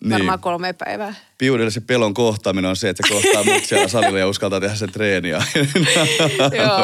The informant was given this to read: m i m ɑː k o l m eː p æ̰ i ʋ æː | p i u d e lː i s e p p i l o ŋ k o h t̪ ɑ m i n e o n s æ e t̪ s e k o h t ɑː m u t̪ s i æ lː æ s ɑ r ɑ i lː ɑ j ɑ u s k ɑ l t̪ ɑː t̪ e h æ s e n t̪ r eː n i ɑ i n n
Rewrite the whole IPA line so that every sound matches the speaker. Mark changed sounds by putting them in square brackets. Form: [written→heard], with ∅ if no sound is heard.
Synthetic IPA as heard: [m→n] i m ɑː k o l m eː p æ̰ i ʋ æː | p i u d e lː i s e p p [i→e] l o ŋ k o h t̪ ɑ m i n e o n s [æ→e] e t̪ s e k o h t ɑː m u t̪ s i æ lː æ s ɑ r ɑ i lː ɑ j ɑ u s k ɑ l t̪ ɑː t̪ e h æ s e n t̪ r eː n i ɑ i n n